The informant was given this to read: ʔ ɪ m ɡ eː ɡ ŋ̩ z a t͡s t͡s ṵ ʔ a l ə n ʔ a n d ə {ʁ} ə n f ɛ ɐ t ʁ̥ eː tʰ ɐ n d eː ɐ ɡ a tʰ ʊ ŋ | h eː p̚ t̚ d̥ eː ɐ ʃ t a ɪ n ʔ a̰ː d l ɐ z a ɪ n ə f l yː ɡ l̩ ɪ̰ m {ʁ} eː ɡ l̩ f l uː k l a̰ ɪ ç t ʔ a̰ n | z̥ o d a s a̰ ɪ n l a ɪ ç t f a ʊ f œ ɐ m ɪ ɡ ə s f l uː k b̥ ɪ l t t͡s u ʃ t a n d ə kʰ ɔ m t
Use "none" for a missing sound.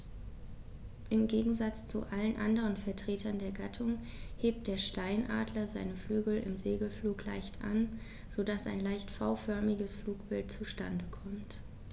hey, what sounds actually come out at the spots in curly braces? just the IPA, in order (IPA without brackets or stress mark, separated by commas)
ʁ, z